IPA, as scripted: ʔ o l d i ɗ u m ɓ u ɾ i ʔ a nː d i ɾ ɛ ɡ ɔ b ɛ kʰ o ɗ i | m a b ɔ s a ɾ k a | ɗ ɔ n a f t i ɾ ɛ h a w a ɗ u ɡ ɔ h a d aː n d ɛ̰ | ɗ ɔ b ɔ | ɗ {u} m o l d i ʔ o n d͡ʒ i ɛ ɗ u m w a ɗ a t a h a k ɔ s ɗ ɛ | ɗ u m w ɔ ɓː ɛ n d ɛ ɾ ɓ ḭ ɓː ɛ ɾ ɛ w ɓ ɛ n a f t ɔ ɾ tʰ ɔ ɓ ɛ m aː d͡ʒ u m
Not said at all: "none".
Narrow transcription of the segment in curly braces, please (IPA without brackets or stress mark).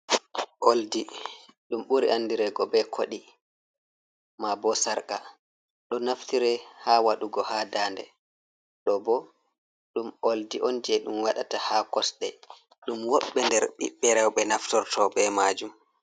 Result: u